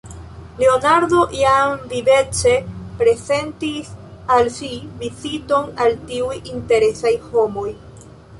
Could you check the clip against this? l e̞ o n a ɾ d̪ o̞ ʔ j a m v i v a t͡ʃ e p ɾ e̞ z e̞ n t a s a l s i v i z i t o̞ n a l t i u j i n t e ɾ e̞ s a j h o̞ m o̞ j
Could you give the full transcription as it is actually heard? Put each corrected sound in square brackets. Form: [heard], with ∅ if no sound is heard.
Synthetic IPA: l e̞ o n a ɾ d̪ o̞ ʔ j a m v i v [e] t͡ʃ e p ɾ e̞ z e̞ n t [i] s a l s i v i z i t o̞ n a l t i u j i n t e ɾ e̞ s a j h o̞ m o̞ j